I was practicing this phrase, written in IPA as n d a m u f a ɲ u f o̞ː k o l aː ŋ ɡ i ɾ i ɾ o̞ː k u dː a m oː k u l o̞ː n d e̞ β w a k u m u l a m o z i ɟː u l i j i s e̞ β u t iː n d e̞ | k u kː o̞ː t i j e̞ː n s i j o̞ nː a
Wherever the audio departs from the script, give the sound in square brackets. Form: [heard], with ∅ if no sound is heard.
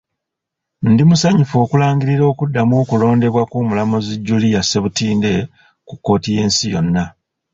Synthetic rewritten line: n d [i] m u [s] a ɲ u f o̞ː k [u] l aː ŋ ɡ i ɾ i ɾ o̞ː k u dː a m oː k u l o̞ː n d e̞ β w a k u m u l a m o z i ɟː u l i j [a] s e̞ β u t iː n d e̞ | k u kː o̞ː t i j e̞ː n s i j o̞ nː a